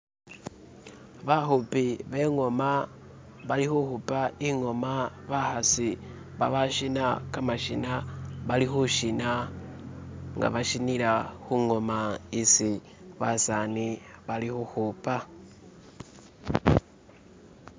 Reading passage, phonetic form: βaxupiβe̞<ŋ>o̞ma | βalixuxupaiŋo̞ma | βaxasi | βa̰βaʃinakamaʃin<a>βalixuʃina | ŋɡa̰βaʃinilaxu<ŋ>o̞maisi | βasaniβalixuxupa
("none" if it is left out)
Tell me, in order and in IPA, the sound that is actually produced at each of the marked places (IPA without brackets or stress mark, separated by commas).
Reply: ŋ, a, ŋ